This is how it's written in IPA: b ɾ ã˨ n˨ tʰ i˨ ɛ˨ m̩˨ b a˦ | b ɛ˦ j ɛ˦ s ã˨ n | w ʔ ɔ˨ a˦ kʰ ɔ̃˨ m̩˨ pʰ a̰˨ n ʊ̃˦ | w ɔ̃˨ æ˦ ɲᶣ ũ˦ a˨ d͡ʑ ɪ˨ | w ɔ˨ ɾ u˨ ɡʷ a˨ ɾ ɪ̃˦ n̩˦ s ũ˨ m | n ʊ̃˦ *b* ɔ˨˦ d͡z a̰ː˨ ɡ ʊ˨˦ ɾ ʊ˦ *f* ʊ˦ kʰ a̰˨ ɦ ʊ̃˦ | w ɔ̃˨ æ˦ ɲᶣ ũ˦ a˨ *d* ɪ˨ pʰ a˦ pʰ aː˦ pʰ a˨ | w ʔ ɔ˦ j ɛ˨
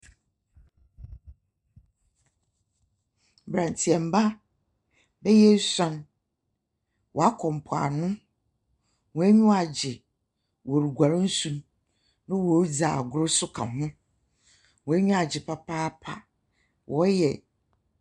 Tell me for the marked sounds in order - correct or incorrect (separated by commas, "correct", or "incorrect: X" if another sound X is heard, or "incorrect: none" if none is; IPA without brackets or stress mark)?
incorrect: w, incorrect: s, incorrect: d͡ʑ